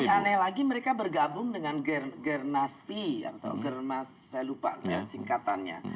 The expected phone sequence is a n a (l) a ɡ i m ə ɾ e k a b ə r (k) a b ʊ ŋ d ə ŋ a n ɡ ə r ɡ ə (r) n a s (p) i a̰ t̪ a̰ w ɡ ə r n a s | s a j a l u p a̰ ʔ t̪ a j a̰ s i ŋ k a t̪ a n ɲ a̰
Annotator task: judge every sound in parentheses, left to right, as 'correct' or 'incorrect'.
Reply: correct, incorrect: ɡ, correct, correct

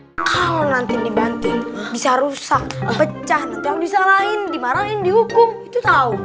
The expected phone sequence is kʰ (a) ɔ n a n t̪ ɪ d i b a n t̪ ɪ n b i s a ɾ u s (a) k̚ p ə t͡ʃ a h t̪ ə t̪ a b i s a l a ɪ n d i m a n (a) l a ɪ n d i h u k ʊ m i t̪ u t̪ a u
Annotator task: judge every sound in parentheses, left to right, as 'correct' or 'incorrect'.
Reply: correct, correct, correct

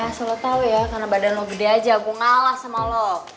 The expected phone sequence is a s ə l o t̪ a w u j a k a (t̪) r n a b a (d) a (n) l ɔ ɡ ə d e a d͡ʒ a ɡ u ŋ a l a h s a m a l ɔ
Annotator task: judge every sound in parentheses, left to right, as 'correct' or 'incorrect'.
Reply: incorrect: none, correct, correct

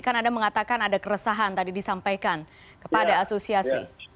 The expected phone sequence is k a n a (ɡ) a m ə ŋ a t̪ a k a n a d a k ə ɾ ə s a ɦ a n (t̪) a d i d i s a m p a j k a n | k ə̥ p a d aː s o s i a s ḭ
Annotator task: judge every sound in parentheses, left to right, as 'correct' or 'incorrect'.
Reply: incorrect: d, correct

